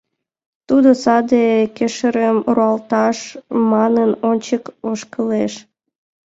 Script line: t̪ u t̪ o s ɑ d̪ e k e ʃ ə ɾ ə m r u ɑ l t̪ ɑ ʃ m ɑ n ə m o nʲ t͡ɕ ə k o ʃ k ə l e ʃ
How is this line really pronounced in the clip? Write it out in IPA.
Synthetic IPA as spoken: t̪ u d̪ o s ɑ d̪ e k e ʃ ə ɾ ə m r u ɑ l t̪ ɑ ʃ m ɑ n ə n o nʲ t͡ɕ ə k o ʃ k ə l e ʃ